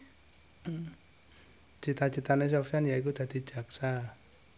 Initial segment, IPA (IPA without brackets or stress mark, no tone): t͡ʃ